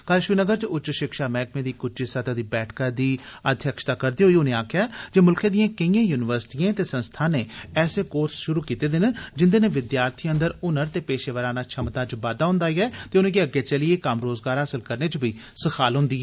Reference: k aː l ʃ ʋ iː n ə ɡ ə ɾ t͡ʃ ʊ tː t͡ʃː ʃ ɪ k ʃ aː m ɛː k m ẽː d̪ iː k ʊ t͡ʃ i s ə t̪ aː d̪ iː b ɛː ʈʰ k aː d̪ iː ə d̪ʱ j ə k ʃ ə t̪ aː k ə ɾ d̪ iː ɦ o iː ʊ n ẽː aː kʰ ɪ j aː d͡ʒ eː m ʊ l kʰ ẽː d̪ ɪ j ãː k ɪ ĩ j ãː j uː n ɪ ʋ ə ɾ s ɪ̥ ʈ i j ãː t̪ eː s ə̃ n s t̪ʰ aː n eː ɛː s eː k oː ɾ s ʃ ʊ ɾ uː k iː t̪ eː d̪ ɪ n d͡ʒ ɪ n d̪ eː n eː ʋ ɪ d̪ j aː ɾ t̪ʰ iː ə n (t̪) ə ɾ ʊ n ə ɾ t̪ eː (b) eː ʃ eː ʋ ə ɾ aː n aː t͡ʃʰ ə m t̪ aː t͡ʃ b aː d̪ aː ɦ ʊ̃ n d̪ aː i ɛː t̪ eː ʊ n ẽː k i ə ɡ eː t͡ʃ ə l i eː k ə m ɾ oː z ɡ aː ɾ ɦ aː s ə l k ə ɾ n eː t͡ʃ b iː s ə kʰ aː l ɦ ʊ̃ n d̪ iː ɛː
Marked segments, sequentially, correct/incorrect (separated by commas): incorrect, incorrect